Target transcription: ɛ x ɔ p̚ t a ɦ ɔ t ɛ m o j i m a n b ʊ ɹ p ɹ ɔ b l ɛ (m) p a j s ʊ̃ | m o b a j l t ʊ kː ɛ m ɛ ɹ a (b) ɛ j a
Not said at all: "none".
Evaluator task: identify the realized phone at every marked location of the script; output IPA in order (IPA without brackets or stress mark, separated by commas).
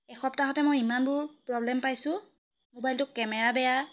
m, b